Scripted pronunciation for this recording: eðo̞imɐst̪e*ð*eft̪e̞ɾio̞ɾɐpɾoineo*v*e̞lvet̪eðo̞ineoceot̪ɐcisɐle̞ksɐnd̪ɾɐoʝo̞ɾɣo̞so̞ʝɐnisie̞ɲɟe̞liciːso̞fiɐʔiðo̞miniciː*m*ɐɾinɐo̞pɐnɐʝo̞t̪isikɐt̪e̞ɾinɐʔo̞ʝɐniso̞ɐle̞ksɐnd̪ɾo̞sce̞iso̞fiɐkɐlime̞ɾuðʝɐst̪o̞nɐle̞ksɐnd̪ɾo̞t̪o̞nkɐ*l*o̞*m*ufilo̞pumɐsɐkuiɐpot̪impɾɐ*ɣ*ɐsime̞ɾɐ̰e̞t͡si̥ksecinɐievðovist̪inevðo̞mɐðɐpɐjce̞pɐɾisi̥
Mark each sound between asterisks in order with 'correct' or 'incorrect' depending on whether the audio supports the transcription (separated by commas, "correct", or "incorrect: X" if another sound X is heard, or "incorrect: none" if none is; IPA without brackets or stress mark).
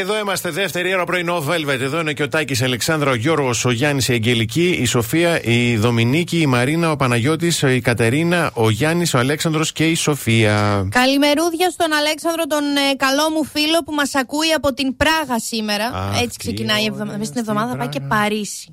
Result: correct, correct, correct, correct, correct, correct